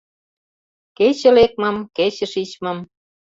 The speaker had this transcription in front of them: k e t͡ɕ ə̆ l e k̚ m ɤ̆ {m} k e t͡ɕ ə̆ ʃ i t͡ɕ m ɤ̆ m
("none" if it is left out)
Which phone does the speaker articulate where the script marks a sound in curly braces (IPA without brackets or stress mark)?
m